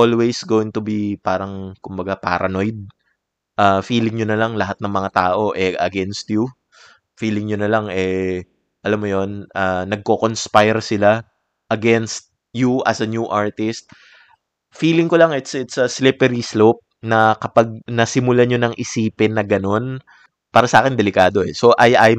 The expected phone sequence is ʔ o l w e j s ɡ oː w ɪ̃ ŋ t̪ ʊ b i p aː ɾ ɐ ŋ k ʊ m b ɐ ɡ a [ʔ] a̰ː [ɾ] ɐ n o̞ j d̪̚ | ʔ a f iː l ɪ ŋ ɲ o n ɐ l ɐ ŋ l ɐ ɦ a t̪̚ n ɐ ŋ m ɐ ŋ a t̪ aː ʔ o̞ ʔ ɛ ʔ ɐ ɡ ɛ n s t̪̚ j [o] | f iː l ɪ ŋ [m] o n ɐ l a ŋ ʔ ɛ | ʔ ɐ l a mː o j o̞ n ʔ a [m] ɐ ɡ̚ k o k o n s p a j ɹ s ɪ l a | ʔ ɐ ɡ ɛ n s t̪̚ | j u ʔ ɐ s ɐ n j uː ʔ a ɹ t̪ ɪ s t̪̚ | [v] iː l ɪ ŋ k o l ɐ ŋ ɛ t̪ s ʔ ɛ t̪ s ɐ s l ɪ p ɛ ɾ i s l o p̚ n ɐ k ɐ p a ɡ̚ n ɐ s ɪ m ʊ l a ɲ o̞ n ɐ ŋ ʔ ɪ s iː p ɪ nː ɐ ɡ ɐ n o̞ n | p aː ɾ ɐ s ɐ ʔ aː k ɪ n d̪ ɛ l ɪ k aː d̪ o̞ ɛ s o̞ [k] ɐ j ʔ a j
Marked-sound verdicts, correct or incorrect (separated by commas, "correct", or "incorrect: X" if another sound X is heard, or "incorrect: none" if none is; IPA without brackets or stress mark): incorrect: p, correct, incorrect: u, incorrect: ɲ, incorrect: n, incorrect: f, incorrect: ʔ